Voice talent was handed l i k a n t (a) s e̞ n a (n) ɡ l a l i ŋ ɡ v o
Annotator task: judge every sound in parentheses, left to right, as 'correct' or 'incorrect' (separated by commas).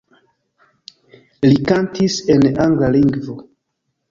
incorrect, incorrect